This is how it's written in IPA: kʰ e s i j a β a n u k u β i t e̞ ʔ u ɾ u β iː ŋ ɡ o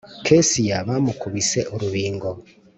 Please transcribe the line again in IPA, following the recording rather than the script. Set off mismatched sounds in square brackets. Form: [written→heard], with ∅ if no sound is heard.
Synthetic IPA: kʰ e s i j a β a [n→m] u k u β i [t→s] e̞ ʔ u ɾ u β iː ŋ ɡ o